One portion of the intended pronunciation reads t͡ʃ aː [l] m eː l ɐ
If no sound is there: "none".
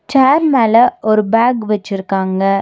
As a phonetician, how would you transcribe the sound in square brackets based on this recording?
ɾ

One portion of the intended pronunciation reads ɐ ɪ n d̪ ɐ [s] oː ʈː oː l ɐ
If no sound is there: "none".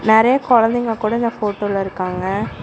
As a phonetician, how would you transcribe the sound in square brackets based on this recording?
f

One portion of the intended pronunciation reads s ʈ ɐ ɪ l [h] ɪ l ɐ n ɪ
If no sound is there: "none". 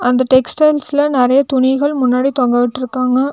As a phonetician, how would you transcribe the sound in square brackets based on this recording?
s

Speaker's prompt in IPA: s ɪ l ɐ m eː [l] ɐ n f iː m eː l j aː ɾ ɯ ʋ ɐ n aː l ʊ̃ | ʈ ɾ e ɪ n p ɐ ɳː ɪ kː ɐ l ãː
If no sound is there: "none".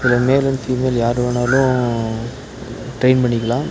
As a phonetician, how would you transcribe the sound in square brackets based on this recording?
l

